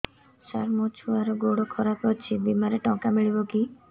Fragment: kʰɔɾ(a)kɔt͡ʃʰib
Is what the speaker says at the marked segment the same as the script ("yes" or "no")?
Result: yes